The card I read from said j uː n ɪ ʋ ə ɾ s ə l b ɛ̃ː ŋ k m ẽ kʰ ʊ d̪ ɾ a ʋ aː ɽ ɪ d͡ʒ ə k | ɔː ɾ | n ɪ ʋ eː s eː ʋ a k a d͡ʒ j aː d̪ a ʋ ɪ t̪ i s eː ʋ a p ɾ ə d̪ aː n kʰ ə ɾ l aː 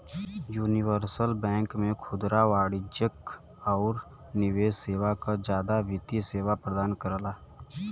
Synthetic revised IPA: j uː n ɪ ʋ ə ɾ s ə l b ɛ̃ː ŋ k m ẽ kʰ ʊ d̪ ɾ a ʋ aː ɽ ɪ d͡ʒ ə k | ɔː ɾ | n ɪ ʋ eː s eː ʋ a k a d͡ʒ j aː d̪ a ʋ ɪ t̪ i s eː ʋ a p ɾ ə d̪ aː n k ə ɾ l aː